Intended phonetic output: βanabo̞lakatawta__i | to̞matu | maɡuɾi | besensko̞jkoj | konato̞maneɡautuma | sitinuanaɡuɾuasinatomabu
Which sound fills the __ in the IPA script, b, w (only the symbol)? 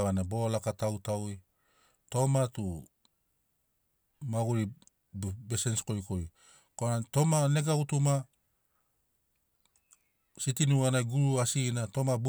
w